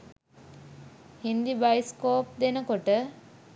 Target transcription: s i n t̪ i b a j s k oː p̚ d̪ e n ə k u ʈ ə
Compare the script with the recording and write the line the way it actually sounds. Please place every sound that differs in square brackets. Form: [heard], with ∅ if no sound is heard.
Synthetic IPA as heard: [h] i n [d̪] i b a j s k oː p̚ d̪ e n ə k [o] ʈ ə